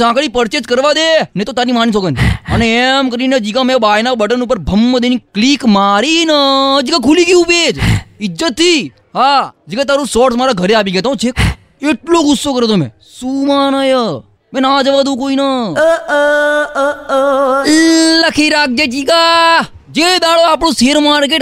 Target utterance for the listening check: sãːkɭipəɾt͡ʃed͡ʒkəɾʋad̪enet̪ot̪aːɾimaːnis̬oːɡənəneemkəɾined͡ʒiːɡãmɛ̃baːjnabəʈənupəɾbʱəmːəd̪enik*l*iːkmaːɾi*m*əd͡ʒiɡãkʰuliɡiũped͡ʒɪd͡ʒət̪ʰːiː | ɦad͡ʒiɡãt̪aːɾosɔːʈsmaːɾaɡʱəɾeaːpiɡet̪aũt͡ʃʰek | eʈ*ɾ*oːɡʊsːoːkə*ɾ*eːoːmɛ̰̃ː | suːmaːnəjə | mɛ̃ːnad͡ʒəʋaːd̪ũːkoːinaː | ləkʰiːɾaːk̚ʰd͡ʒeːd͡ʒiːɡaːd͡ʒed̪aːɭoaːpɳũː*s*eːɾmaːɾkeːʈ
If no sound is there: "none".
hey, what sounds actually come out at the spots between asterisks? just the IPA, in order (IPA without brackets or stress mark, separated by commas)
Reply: l, n, l, ɾ, s